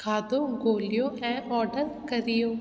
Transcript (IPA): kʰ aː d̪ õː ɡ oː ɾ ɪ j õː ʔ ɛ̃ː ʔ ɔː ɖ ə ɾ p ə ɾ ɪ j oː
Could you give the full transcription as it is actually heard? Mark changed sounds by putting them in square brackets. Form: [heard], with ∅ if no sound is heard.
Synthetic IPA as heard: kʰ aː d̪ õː ɡ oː [l] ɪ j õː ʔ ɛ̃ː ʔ ɔː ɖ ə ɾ [k] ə ɾ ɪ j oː

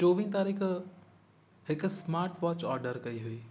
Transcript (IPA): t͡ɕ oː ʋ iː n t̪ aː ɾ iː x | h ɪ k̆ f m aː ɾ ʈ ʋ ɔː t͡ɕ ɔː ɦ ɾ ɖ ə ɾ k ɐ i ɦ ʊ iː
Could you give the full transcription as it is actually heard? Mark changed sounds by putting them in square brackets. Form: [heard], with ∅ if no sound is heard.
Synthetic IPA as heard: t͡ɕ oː ʋ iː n t̪ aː ɾ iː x | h ɪ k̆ [s] m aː ɾ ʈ ʋ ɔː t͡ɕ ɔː [∅] ɾ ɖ ə ɾ k ɐ i ɦ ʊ iː

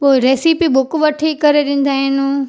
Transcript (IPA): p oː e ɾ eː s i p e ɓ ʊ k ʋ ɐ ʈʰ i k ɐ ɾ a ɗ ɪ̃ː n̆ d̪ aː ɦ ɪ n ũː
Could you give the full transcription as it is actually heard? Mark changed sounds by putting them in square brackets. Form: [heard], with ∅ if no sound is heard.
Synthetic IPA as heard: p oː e ɾ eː s i p [i] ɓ ʊ k ʋ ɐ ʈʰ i k ɐ ɾ [e] ɗ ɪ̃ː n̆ d̪ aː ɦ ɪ n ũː

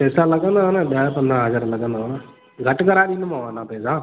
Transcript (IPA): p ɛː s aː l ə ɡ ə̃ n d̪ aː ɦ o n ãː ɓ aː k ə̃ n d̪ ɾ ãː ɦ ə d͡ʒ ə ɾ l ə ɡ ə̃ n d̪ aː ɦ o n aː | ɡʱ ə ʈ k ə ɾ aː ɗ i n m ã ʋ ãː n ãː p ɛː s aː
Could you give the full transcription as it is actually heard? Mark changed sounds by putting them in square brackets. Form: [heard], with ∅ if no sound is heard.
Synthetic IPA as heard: p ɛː s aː l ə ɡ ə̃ n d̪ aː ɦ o n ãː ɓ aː [p] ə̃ n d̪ ɾ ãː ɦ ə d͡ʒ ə ɾ l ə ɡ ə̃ n d̪ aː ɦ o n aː | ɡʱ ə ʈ k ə ɾ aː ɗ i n m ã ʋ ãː n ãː p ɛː s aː

